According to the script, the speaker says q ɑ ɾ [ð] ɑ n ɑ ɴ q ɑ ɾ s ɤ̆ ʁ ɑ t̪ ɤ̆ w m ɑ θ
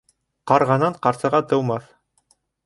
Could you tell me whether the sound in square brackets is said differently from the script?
yes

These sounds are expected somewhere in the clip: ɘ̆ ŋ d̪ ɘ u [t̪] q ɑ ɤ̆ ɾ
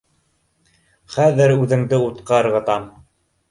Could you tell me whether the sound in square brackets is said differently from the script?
no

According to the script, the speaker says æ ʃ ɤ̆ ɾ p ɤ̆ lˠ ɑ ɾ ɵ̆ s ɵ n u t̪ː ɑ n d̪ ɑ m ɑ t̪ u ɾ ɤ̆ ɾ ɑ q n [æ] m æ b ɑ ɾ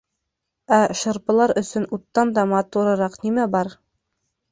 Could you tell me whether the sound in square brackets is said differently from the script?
yes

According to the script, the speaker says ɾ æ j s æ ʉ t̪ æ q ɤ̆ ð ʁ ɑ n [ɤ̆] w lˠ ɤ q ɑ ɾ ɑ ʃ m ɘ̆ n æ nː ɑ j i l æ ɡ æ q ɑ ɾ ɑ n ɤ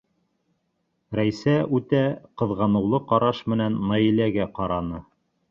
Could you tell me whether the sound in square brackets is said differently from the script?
no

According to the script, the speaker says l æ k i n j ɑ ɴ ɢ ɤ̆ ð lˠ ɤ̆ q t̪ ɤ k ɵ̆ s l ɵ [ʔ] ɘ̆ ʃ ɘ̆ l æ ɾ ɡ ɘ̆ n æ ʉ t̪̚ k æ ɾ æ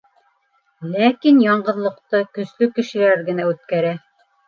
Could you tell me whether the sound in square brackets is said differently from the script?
yes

